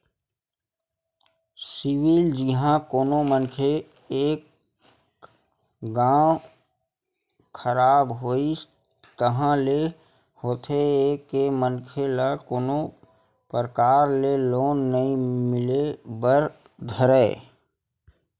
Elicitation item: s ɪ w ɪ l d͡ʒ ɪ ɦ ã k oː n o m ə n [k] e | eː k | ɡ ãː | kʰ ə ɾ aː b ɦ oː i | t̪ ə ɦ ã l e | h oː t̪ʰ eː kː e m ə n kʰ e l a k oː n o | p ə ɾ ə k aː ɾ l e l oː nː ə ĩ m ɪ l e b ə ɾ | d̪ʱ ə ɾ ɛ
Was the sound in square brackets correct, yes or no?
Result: no